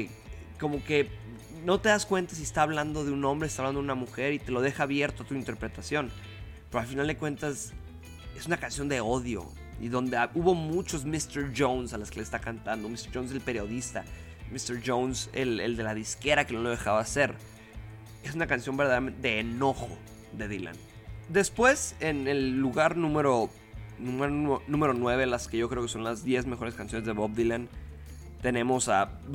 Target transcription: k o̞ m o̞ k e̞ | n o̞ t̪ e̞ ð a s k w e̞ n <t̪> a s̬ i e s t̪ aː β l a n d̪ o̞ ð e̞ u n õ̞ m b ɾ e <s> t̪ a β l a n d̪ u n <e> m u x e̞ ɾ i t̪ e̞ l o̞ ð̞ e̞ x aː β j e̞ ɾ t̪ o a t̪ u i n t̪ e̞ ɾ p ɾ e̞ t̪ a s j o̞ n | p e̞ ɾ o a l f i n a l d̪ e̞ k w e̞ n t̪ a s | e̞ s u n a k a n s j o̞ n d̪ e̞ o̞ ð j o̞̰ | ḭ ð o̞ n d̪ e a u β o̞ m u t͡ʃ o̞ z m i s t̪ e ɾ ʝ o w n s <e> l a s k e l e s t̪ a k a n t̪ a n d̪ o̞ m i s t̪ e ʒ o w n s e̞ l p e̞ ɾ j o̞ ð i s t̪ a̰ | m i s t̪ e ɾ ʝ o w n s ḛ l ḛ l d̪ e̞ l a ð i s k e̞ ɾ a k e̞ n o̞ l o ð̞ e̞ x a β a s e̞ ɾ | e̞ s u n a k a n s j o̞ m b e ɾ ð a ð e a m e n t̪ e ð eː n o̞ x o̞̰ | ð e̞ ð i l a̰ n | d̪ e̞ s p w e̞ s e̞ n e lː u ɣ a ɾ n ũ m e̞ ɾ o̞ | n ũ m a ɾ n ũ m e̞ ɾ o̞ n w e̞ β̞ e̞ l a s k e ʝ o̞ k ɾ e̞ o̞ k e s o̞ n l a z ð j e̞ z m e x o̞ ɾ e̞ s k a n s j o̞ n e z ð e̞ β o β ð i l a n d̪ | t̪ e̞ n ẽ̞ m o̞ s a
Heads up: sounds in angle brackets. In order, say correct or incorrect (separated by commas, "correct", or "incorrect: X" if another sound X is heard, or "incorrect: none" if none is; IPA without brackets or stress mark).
correct, correct, incorrect: a, incorrect: a